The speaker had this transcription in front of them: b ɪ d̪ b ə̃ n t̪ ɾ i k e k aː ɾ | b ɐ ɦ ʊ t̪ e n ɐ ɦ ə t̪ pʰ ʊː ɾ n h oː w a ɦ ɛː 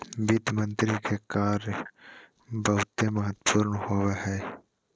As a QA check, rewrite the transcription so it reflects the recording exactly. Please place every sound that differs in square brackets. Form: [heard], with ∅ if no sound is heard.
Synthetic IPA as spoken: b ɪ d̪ [m] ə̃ n t̪ ɾ i k e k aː ɾ | b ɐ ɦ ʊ t̪ e [m] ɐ ɦ ə t̪ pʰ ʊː ɾ n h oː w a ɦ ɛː